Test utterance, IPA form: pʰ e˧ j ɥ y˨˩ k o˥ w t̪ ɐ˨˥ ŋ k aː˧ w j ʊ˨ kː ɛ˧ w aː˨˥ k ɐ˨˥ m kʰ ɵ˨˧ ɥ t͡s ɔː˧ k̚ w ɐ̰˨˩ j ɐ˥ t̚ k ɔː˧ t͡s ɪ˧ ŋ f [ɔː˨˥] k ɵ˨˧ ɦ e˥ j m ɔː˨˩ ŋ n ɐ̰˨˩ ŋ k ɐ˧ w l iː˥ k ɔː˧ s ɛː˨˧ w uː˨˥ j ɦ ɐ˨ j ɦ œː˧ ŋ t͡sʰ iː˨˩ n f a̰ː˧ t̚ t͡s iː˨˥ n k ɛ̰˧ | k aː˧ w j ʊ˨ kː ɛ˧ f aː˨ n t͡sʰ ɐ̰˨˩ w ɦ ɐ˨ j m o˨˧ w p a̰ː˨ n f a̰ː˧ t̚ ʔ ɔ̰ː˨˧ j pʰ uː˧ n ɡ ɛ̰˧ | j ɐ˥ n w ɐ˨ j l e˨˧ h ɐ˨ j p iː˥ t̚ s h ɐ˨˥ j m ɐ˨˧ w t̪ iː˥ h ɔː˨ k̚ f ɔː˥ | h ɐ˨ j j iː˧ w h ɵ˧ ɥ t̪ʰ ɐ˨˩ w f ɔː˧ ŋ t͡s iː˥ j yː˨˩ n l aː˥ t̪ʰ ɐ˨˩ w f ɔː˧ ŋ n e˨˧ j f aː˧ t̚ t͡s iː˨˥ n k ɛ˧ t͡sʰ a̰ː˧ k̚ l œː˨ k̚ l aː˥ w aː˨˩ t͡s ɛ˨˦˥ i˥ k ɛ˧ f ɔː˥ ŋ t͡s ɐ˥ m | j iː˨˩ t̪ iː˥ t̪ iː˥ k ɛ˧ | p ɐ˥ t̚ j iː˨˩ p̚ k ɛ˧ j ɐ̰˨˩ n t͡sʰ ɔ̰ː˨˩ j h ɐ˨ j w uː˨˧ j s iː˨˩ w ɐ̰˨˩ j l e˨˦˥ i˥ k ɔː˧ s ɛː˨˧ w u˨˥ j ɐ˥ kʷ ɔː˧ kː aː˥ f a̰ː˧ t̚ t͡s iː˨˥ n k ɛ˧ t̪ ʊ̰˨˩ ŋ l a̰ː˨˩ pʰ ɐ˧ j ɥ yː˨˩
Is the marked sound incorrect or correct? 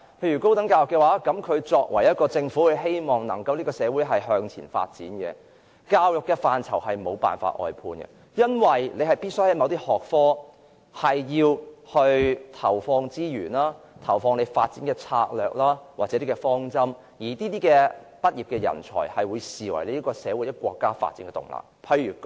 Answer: incorrect